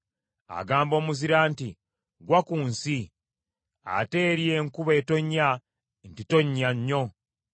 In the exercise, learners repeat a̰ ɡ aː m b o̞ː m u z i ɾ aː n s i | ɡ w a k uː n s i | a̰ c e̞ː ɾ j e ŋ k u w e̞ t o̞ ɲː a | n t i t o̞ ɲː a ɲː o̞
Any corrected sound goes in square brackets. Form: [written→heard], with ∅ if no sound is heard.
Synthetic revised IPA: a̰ ɡ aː m b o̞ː m u z i ɾ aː n [s→t] i | ɡ w a k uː n s i | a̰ [c→t] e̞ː ɾ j e ŋ k u [w→β] e̞ t o̞ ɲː a | n t i t o̞ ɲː a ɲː o̞